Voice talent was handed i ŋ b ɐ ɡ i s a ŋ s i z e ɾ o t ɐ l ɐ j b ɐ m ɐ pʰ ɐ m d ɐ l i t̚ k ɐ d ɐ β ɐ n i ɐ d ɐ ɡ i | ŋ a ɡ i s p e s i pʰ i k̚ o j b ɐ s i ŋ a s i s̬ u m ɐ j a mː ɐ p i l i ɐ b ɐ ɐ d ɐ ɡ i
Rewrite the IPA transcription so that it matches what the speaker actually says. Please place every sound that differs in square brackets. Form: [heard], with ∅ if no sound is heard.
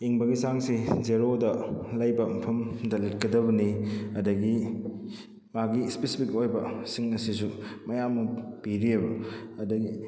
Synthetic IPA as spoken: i ŋ b ɐ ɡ i s a ŋ s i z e ɾ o [d] ɐ l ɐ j b ɐ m ɐ pʰ ɐ m d ɐ l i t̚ k ɐ d ɐ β ɐ n i ɐ d ɐ ɡ i | [m] a ɡ i s p e s i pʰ i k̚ o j b ɐ s i ŋ [ɐ] s i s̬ u m ɐ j a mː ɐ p i [ɾ] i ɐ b ɐ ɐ d ɐ ɡ i